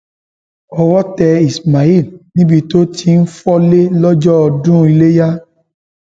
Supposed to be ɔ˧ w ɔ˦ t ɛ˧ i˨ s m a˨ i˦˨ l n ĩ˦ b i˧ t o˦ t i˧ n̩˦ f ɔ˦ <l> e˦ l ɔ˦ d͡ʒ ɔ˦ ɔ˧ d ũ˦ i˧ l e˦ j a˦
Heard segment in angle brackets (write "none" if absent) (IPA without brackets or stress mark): l